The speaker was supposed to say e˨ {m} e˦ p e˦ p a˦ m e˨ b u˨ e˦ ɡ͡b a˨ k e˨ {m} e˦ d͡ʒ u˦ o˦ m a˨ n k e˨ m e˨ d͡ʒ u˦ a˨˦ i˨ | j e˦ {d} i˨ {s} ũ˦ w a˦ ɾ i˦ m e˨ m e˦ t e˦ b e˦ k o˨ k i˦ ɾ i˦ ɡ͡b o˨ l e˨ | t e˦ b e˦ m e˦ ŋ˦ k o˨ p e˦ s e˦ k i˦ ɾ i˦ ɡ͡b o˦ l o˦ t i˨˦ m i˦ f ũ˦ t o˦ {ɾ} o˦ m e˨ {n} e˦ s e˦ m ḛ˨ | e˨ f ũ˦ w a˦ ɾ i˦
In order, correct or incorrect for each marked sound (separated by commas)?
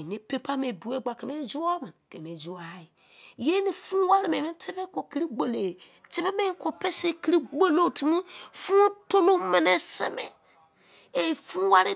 incorrect, correct, incorrect, incorrect, incorrect, correct